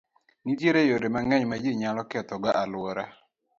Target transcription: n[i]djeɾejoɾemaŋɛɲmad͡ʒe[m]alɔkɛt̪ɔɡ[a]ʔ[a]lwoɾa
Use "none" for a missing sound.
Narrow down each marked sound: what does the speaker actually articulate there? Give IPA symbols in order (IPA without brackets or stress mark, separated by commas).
i, ɲ, a, a